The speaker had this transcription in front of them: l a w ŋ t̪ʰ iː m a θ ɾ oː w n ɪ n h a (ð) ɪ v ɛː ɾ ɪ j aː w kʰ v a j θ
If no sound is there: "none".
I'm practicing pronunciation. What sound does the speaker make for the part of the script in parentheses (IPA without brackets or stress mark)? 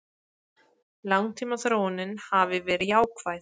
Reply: v